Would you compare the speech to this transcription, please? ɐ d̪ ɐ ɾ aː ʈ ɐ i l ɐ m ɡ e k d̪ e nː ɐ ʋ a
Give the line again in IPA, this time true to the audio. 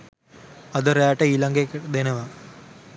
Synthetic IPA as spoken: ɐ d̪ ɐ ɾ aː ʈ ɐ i l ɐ ŋ ɡ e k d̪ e n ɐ ʋ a